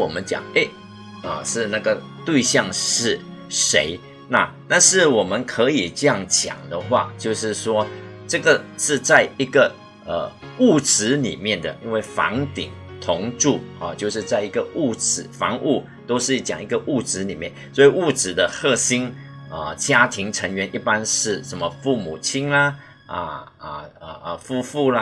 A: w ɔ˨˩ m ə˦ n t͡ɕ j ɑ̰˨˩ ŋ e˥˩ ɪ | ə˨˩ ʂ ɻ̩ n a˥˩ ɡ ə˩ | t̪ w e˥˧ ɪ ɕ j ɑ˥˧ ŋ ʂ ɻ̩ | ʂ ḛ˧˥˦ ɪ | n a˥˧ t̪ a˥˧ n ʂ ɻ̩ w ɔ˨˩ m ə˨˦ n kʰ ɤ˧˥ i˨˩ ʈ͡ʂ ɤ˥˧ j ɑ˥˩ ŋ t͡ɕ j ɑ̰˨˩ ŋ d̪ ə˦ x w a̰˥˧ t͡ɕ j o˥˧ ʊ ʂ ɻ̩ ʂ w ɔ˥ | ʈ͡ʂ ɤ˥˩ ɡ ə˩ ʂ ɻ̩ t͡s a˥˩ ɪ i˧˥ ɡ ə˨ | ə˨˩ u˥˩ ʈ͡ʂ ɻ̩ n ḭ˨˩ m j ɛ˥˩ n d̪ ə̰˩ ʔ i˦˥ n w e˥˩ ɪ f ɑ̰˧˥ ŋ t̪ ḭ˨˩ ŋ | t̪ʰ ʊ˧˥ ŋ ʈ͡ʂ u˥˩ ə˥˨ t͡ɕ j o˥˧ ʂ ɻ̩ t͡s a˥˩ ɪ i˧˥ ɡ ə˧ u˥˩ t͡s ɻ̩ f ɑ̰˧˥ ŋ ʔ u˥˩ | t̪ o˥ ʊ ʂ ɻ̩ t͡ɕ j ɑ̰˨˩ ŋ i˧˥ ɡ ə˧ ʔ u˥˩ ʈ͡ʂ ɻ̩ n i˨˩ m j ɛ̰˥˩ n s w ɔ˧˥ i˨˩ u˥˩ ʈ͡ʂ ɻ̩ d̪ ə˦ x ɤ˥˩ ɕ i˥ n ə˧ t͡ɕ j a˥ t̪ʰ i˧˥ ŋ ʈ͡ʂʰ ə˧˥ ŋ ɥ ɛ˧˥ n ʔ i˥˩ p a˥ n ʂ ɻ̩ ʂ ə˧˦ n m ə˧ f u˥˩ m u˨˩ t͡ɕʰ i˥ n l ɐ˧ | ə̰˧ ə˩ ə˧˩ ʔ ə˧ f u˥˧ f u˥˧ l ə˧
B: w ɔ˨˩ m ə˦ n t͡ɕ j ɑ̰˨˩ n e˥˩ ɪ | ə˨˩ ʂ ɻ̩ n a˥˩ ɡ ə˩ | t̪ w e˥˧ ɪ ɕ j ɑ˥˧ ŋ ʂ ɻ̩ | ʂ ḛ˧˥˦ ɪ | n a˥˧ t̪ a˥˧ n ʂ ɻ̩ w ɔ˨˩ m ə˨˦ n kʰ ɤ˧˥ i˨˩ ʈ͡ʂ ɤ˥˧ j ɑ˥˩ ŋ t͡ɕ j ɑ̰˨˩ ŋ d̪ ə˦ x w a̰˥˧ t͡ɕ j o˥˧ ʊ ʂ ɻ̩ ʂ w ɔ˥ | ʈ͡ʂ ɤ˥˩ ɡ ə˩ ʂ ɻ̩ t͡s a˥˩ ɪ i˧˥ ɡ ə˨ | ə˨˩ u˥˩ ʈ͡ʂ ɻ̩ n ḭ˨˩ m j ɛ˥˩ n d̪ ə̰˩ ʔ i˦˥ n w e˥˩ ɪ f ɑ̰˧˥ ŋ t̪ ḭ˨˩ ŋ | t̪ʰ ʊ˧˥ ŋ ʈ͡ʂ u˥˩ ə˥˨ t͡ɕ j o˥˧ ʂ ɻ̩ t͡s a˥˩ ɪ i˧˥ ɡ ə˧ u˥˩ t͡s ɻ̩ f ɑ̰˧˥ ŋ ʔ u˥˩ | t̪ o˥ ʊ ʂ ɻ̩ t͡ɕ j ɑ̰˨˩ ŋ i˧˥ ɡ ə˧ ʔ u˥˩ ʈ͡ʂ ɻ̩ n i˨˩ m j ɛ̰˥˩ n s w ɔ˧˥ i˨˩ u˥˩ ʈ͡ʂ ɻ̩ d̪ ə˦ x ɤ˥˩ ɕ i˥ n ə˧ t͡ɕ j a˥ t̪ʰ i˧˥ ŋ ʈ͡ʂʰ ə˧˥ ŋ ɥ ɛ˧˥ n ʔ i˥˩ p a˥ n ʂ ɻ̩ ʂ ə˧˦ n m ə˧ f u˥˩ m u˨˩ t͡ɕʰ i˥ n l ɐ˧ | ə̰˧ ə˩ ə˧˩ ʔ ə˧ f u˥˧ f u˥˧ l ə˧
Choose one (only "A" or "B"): A